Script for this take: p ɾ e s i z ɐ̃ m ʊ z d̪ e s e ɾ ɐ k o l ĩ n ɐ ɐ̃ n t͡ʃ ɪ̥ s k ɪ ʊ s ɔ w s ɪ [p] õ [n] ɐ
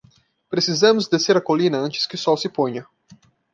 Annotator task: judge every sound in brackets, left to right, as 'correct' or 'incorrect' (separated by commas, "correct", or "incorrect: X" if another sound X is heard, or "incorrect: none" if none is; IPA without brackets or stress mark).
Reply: correct, incorrect: ɲ